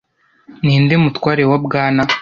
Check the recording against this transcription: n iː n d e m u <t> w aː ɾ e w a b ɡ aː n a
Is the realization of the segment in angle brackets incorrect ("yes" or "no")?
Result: no